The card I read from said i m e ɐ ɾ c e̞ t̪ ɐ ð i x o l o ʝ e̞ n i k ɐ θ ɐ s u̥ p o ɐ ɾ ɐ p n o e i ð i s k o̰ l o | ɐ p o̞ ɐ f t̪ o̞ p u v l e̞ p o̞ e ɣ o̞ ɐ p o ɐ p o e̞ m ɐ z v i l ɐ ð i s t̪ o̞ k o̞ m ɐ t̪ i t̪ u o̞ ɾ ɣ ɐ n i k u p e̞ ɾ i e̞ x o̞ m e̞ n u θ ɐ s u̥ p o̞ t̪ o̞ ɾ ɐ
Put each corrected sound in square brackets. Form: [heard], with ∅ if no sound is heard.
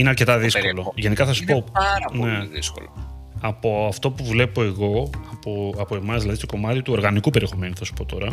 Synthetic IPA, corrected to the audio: i [n] e ɐ ɾ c e̞ t̪ ɐ ð i [s] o l o ʝ e̞ n i k ɐ θ ɐ s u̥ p o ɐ ɾ ɐ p n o e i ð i s k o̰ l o | ɐ p o̞ ɐ f t̪ o̞ p u v l e̞ p o̞ e ɣ o̞ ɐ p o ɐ p o e̞ m ɐ z [ð] i l ɐ ð i s t̪ o̞ k o̞ m ɐ t̪ i t̪ u o̞ ɾ ɣ ɐ n i k u p e̞ ɾ i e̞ x o̞ m e̞ n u θ ɐ s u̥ p o̞ t̪ o̞ ɾ ɐ